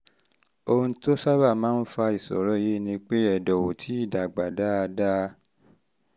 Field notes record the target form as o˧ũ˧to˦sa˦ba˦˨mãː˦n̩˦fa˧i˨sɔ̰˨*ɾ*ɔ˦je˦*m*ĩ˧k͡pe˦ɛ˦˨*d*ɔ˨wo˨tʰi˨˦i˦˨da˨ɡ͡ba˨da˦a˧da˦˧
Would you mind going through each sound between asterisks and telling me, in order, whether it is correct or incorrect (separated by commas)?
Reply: correct, incorrect, correct